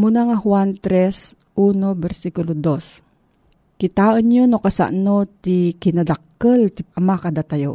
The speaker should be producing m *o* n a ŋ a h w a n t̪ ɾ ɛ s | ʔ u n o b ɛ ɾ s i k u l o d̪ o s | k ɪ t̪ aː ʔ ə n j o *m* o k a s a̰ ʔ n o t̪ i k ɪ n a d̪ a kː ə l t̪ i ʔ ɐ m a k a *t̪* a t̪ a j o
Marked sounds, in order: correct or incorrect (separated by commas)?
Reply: incorrect, incorrect, incorrect